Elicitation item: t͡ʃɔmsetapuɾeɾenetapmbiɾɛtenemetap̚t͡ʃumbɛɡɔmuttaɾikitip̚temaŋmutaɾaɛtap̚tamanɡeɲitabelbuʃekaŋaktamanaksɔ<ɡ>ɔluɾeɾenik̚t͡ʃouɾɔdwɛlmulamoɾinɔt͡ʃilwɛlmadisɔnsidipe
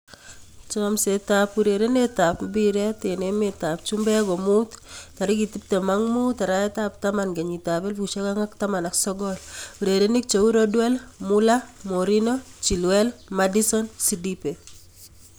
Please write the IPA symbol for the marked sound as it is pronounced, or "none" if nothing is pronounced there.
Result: ɡ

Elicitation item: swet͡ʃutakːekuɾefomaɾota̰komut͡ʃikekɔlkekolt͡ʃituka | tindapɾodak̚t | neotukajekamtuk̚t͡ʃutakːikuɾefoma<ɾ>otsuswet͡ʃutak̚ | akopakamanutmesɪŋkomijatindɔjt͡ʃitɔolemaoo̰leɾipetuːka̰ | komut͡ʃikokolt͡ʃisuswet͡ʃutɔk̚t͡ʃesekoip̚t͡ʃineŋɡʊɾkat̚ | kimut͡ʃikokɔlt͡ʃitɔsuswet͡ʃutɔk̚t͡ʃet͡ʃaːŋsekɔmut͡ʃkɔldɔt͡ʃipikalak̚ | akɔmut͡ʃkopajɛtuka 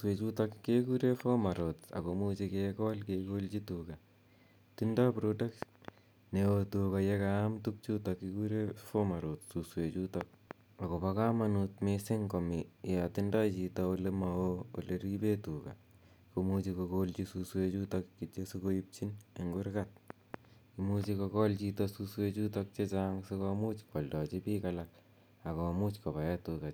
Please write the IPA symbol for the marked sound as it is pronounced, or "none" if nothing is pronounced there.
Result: ɾ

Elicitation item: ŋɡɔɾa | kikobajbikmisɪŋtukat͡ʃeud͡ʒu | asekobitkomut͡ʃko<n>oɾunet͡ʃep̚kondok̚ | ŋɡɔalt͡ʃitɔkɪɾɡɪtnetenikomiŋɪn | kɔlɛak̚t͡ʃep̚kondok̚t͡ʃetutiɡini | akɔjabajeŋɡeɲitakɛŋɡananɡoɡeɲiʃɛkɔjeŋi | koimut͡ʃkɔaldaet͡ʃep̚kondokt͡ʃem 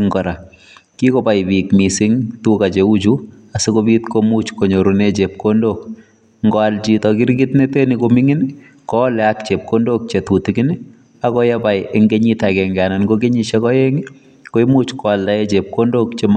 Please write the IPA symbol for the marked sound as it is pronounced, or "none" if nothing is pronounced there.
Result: ɲ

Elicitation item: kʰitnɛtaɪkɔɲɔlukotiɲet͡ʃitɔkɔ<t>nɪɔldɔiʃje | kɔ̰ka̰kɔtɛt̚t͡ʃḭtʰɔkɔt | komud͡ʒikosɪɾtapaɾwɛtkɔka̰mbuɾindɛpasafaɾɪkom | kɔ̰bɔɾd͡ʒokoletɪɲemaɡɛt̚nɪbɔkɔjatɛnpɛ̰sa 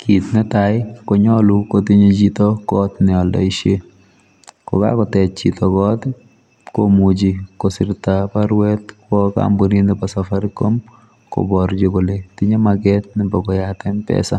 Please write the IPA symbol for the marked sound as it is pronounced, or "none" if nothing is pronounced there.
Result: t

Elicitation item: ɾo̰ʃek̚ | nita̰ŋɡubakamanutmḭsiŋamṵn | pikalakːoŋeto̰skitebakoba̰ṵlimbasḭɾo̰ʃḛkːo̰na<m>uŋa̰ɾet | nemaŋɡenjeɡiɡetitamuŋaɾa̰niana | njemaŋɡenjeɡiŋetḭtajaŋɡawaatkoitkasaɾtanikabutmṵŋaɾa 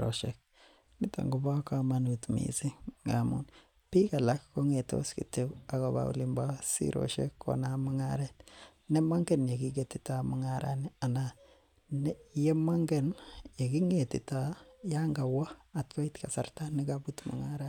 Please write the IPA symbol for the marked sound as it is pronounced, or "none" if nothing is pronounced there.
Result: m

